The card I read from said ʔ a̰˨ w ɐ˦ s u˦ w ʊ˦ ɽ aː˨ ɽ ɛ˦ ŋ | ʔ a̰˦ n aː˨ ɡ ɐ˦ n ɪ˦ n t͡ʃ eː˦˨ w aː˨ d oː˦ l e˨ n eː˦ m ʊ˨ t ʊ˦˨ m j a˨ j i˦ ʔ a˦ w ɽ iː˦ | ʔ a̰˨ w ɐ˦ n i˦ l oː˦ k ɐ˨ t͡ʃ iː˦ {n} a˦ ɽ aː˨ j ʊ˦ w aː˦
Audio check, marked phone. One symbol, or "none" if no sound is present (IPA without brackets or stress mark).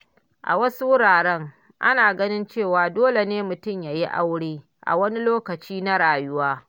n